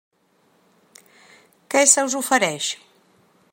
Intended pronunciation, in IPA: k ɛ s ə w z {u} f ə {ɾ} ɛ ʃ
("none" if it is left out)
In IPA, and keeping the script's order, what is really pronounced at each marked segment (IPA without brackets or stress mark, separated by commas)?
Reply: u, ɾ